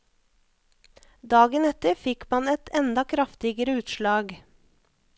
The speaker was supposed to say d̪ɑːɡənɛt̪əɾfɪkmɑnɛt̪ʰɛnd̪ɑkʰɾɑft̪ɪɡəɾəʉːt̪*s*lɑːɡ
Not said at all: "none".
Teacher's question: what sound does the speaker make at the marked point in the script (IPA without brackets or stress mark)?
ʃ